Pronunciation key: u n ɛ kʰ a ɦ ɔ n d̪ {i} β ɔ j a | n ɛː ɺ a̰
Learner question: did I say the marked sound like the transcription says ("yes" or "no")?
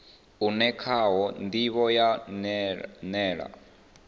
yes